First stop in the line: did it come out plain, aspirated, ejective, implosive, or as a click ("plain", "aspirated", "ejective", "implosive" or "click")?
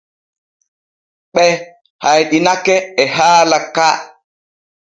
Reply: implosive